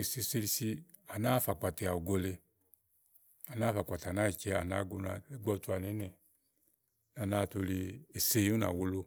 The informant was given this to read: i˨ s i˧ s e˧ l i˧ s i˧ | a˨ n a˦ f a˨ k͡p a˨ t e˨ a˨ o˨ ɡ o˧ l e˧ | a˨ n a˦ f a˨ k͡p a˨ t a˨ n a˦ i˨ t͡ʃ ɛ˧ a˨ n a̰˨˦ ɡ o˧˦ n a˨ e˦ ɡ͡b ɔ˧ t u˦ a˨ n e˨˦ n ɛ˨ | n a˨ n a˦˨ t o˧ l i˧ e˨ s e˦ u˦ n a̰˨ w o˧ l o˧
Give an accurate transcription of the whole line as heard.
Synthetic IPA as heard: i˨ s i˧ s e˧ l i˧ s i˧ | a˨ n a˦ f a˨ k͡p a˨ t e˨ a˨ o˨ ɡ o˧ l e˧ | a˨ n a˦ f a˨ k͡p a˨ t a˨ n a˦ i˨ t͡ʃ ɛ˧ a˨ n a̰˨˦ ɡ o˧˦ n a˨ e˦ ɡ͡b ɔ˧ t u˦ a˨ n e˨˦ n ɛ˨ | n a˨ n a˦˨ t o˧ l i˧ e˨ s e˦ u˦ n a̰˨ w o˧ l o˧